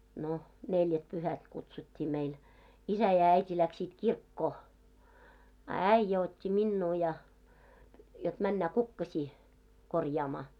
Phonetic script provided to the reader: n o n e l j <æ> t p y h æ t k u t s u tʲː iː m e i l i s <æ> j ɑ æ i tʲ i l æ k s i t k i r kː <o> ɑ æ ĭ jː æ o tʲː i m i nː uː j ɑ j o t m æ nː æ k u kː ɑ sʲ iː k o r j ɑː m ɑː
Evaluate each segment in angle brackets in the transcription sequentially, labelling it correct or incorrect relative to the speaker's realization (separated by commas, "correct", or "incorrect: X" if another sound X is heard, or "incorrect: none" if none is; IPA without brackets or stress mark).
correct, correct, incorrect: oː